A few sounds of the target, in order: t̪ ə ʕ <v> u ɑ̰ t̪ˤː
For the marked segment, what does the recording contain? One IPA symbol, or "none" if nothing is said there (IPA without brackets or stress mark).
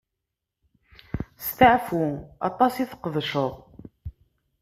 f